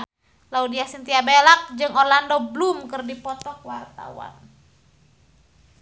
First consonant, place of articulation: alveolar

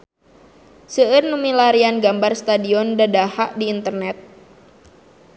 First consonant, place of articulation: alveolar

